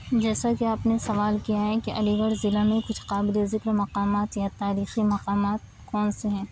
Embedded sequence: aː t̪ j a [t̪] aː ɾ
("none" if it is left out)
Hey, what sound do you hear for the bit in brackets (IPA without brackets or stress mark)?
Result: t̪